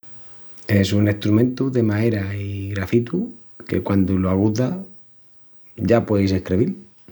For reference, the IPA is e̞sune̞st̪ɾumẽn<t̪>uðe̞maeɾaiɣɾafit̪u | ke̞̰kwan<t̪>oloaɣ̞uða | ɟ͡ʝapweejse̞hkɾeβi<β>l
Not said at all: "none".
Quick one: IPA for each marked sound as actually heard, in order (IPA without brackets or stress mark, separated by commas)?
t̪, d̪, none